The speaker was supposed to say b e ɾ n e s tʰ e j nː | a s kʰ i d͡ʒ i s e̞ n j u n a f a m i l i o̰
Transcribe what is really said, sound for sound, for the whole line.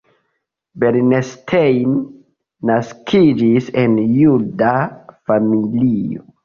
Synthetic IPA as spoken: b e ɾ n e s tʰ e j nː | a s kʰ i d͡ʒ i s e̞ n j u d a f a m i l i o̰